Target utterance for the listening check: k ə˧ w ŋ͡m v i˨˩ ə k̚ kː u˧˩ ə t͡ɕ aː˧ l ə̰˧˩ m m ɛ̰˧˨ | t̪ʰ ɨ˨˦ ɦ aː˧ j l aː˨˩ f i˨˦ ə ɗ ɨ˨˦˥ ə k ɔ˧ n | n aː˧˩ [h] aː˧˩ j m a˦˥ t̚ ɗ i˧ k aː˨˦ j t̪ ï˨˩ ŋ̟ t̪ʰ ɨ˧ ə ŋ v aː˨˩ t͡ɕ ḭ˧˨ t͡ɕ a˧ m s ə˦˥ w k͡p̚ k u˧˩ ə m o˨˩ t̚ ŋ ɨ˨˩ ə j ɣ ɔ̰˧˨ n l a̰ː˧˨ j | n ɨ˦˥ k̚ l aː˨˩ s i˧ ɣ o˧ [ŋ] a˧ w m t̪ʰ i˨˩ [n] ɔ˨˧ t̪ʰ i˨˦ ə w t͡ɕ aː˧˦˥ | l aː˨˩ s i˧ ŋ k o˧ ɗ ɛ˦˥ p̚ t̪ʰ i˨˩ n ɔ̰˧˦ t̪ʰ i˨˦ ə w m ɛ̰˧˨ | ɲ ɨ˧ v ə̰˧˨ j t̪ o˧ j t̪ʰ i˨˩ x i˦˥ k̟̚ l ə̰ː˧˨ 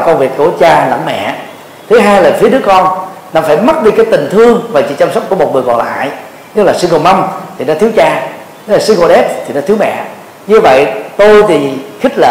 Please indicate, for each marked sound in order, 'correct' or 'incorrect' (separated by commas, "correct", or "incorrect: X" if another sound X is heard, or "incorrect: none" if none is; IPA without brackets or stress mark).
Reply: incorrect: f, incorrect: m, correct